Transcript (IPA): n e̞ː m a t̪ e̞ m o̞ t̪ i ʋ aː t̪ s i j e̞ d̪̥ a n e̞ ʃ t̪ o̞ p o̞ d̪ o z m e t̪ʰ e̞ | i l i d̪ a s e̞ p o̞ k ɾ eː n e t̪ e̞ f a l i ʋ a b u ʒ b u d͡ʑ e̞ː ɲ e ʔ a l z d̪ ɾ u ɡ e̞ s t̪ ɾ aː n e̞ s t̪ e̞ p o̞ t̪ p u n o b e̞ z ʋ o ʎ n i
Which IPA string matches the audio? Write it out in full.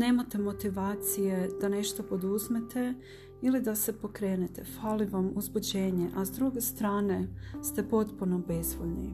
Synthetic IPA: n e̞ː m a t̪ e̞ m o̞ t̪ i ʋ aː t̪ s i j e̞ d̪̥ a n e̞ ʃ t̪ o̞ p o̞ d̪ u z m e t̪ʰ e̞ | i l i d̪ a s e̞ p o̞ k ɾ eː n e t̪ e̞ f a l i ʋ a m u z b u d͡ʑ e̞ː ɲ e ʔ a z d̪ ɾ u ɡ e̞ s t̪ ɾ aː n e̞ s t̪ e̞ p o̞ t̪ p u n o b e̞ z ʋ o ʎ n i